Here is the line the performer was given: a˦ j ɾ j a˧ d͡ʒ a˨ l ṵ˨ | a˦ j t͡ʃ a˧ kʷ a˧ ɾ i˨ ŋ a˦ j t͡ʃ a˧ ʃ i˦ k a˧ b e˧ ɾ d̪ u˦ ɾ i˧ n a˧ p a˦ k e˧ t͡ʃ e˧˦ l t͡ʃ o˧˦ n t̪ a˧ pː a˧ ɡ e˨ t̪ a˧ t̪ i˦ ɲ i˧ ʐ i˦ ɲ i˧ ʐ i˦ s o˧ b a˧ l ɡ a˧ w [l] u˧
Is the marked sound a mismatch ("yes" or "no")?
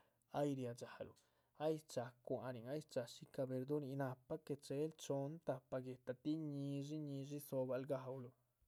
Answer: no